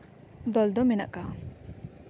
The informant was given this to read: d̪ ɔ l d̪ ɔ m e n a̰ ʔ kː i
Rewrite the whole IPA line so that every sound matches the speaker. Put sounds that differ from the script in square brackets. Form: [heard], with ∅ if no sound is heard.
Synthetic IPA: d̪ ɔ l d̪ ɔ m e n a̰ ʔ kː [a]